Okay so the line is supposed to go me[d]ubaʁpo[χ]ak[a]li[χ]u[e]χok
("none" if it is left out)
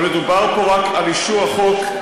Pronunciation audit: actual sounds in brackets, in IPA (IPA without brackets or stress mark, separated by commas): d, ʁ, a, ʃ, a